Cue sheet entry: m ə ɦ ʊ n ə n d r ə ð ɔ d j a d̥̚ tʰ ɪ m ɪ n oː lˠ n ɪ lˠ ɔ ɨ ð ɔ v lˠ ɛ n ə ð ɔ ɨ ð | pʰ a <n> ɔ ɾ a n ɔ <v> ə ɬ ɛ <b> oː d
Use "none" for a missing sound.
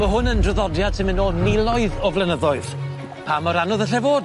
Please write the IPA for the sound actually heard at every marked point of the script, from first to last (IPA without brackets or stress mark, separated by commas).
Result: m, ð, v